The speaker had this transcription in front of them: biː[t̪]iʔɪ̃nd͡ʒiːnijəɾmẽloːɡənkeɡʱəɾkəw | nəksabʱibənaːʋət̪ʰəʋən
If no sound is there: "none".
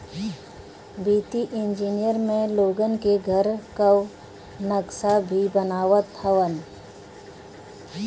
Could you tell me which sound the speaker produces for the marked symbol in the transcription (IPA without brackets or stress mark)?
t̪